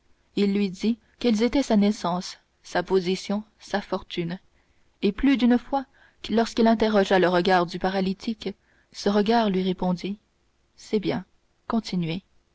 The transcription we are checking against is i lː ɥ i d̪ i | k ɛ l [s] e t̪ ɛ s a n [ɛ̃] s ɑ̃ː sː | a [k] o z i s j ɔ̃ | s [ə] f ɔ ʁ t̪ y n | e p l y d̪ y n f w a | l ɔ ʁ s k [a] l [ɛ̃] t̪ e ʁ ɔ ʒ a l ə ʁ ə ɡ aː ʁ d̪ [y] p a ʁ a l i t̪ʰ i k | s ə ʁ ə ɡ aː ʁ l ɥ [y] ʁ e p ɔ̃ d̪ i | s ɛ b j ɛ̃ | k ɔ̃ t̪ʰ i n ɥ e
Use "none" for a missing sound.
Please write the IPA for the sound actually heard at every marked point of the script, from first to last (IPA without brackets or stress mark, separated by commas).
z, ɛ, p, a, i, ɛ̃, y, i